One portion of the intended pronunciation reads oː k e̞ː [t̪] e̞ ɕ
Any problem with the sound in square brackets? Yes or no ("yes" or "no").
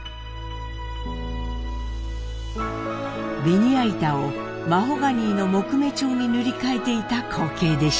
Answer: yes